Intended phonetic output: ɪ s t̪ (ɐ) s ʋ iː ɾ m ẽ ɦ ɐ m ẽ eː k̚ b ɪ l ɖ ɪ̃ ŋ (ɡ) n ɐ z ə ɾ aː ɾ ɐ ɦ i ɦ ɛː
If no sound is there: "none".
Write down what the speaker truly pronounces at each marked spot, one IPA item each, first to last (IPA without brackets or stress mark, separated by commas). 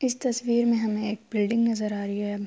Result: ɐ, ɡ